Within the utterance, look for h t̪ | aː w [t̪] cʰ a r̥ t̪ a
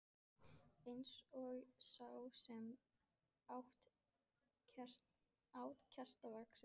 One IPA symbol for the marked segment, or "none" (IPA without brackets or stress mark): t̪